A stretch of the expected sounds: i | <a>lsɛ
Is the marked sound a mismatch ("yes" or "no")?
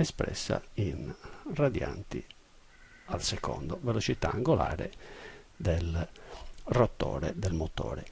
no